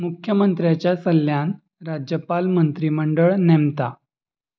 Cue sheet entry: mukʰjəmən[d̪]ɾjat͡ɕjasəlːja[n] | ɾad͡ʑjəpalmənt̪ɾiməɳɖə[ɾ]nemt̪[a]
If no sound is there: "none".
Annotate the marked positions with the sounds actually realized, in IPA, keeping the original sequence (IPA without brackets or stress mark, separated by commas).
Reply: t̪, n, ɭ, a